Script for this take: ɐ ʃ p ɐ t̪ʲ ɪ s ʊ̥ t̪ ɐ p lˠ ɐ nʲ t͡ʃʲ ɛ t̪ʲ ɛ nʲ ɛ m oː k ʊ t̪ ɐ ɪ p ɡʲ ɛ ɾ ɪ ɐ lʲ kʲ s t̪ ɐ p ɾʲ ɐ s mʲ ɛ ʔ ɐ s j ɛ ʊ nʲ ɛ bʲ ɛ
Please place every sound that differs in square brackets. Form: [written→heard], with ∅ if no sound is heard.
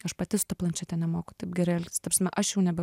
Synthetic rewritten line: ɐ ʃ p ɐ t̪ʲ ɪ s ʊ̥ t̪ ɐ p lˠ ɐ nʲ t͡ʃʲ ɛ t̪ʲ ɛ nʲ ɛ m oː k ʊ t̪ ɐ ɪ p ɡʲ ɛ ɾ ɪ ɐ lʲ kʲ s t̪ ɐ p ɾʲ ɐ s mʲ ɛ ʔ ɐ [s→ʃ] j ɛ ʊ nʲ ɛ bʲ ɛ